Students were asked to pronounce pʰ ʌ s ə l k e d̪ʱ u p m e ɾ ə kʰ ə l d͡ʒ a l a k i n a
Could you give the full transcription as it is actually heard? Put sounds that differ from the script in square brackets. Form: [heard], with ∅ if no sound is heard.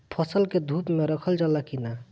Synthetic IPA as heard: pʰ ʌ s ə l k e d̪ʱ u p m e ɾ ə kʰ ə l d͡ʒ a l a k i n a